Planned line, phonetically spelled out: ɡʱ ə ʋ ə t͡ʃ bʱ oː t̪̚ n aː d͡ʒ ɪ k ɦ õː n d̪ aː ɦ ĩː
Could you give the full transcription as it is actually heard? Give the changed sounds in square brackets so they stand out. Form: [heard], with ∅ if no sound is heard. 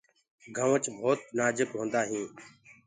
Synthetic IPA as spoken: ɡʱ ə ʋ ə t͡ʃ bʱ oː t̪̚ n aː d͡ʒ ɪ k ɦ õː n d̪ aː ɦ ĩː